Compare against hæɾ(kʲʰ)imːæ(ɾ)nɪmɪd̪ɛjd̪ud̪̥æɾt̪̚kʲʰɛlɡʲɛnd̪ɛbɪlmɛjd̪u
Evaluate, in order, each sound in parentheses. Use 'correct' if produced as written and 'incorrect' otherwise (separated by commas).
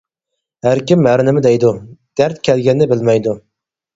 incorrect, correct